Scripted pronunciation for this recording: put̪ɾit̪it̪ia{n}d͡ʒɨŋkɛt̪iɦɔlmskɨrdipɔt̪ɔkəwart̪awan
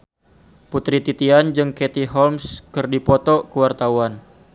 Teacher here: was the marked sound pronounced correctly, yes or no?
yes